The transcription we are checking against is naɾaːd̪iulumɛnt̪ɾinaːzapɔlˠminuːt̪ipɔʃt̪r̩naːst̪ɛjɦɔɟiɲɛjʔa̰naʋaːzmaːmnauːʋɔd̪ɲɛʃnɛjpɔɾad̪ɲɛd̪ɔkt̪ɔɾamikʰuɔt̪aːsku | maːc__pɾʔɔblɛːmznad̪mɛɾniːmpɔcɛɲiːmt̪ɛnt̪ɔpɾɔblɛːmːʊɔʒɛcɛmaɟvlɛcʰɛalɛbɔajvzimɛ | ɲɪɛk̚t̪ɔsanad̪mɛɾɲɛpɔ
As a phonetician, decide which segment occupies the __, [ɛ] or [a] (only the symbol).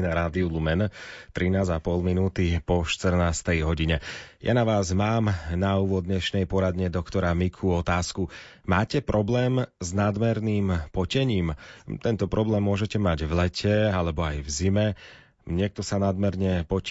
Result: ɛ